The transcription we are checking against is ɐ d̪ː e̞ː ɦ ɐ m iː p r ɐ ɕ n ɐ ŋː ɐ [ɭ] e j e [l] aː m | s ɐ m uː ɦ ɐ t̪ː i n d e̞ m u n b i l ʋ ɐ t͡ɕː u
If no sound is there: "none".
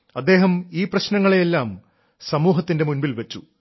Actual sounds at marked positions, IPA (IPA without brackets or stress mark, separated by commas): ɭ, lː